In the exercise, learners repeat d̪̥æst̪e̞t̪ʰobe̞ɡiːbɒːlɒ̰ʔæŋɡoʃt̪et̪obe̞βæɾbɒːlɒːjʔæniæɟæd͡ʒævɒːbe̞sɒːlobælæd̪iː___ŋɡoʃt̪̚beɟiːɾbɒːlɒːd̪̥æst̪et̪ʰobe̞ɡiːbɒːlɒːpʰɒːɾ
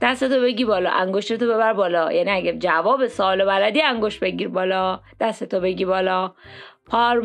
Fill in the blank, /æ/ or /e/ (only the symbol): æ